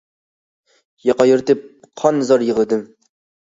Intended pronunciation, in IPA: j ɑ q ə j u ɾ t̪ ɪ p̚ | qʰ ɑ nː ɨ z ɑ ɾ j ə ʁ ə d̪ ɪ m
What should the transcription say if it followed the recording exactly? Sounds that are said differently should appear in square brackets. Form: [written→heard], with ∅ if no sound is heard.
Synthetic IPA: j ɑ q [ə→ɑ] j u ɾ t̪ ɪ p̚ | qʰ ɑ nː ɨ z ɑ ɾ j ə ʁ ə d̪ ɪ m